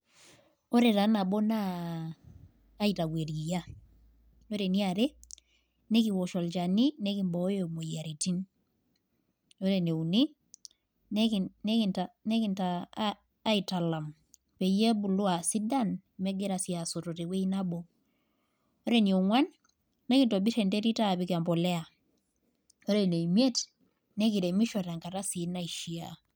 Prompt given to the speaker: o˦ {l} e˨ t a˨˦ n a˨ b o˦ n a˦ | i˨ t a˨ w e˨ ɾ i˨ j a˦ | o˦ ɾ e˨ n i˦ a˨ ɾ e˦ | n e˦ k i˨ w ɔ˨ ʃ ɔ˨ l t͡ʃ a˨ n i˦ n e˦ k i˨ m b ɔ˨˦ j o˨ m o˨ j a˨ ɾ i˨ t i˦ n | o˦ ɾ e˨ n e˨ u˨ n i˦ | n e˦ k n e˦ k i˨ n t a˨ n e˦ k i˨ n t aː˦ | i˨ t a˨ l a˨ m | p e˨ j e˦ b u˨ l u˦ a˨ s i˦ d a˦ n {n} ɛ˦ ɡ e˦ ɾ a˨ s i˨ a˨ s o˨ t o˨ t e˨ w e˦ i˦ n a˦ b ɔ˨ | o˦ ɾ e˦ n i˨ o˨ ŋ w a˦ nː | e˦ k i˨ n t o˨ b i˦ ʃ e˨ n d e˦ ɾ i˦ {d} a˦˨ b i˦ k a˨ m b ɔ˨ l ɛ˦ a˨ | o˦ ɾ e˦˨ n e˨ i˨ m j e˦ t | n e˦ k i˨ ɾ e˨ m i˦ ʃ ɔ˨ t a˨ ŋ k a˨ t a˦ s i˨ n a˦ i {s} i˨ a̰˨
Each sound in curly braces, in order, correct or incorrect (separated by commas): incorrect, incorrect, incorrect, incorrect